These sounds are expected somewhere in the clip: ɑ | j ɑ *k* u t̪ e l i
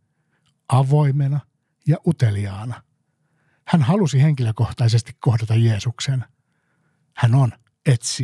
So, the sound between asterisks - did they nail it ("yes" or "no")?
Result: no